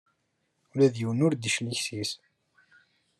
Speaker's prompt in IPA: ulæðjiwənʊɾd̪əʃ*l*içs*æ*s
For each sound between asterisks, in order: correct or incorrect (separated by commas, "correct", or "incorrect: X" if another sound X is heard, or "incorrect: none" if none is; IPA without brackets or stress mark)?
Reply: correct, incorrect: i